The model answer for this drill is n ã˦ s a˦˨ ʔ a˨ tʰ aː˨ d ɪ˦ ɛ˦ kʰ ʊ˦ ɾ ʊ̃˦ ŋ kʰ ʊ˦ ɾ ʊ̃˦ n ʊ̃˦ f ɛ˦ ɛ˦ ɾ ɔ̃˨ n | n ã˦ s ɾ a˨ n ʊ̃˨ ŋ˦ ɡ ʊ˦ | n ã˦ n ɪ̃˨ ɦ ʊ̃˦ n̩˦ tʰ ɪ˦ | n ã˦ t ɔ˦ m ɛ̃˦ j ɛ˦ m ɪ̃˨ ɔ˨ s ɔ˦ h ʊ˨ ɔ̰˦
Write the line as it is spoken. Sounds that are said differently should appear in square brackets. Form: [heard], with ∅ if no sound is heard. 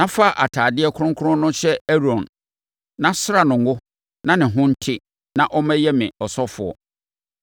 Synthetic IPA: n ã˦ [f] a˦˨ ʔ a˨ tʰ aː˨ d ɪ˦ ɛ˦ kʰ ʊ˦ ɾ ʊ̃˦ ŋ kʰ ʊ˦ ɾ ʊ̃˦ n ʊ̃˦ [ɕ] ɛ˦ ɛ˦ ɾ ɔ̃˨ n | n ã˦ s ɾ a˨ n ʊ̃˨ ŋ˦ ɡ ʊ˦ | n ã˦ n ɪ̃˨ ɦ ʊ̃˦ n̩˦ tʰ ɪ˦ | n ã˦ [ʔ] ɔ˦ m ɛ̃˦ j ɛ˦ m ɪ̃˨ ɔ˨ s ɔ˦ [f] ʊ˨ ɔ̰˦